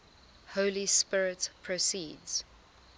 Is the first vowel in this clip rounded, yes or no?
yes